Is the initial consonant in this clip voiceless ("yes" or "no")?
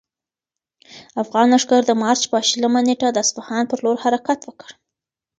yes